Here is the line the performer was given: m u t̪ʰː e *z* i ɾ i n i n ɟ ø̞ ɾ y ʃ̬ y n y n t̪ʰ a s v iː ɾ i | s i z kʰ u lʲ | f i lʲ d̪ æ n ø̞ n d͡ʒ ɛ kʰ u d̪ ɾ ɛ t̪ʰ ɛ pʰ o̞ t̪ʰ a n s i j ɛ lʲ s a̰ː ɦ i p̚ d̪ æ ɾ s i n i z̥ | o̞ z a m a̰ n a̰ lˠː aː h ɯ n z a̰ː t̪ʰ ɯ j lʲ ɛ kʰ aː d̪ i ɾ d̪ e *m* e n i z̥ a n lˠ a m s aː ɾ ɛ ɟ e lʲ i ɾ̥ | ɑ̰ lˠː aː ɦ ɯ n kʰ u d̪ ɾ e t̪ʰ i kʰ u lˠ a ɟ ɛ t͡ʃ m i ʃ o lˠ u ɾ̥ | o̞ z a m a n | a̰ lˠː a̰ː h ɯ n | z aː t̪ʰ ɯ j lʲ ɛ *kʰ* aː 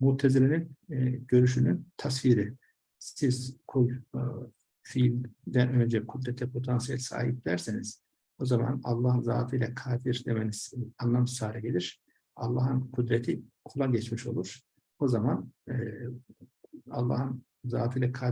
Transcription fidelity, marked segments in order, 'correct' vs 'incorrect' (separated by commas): correct, correct, correct